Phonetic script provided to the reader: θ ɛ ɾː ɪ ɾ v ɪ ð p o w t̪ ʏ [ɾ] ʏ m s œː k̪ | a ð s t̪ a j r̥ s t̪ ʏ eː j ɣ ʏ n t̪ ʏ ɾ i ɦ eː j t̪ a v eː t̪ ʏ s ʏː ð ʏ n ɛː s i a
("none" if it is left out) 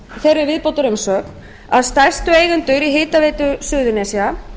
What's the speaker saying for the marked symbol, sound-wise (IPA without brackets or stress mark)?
ɾ